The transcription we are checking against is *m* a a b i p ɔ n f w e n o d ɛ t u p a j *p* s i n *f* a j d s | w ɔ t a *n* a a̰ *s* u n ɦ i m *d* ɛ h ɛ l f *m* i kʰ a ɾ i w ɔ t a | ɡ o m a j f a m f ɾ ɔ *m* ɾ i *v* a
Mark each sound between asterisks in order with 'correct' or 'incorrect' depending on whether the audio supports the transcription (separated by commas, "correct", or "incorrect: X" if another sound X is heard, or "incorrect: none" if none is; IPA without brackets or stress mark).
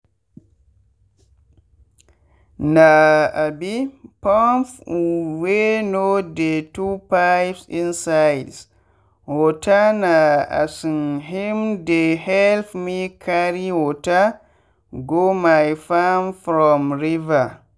incorrect: n, correct, incorrect: s, correct, correct, correct, correct, correct, correct